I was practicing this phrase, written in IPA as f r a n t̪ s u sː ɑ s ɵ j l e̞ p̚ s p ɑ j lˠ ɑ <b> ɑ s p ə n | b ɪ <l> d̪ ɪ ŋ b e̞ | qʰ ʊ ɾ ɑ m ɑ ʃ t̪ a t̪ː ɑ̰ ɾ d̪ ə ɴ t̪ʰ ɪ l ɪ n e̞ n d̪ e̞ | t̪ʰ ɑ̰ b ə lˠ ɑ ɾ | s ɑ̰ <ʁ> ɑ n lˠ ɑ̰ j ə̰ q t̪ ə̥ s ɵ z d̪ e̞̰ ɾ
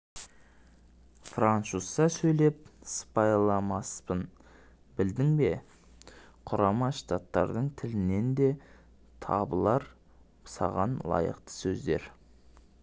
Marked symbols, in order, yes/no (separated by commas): no, yes, yes